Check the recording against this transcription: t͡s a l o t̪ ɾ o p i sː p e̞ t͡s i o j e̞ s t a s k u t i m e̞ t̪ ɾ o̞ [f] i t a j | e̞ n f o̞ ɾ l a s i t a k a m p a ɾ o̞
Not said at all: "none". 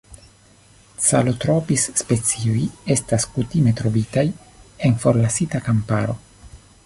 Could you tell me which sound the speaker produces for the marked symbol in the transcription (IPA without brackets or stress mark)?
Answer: v